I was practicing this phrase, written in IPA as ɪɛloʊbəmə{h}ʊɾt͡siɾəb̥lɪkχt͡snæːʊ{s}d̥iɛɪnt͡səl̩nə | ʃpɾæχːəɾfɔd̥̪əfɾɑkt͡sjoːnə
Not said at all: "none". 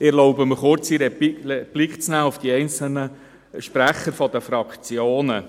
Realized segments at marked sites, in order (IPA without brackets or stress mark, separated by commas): χ, f